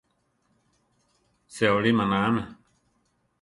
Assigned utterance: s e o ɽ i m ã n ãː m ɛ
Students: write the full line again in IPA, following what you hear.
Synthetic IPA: s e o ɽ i m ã n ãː m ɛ